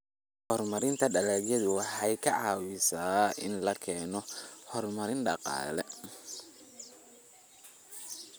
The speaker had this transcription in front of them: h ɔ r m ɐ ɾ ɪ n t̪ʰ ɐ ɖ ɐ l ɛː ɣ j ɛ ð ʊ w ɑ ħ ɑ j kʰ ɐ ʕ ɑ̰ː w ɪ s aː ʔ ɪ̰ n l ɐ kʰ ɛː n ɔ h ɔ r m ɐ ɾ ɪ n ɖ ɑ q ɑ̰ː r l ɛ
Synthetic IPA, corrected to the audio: h ɔ r m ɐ ɾ ɪ n t̪ʰ ɐ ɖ ɐ l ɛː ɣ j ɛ ð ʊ w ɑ ħ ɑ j kʰ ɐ ʕ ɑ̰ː w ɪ s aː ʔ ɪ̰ n l ɐ kʰ ɛː n ɔ h ɔ r m ɐ ɾ ɪ n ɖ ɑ q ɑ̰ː l ɛ